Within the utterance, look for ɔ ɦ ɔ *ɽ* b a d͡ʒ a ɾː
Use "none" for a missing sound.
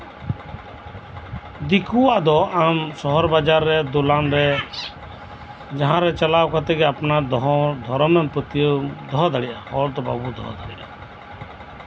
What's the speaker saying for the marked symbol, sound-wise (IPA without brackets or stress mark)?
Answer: ɾ